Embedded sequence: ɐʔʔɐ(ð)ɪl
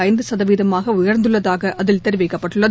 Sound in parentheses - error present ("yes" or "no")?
no